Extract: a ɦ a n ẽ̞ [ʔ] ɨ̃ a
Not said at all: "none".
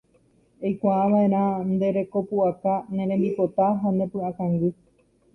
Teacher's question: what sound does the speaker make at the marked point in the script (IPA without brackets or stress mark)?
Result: p